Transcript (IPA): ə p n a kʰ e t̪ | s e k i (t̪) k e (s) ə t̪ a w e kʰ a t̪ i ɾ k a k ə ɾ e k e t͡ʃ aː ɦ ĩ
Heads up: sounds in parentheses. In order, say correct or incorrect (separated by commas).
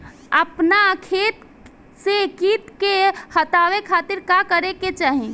correct, incorrect